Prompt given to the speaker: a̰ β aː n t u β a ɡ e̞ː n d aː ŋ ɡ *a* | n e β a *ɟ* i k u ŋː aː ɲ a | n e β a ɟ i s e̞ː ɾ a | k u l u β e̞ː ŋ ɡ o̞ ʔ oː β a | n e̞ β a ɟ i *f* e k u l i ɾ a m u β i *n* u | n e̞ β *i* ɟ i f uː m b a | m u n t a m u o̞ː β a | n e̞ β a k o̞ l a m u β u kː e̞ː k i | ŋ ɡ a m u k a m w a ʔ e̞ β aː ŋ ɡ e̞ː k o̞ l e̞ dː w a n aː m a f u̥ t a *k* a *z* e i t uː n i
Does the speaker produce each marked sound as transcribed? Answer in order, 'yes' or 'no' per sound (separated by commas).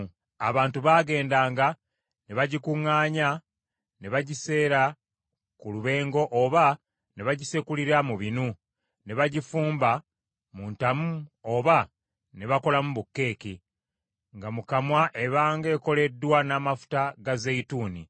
yes, yes, no, yes, no, no, yes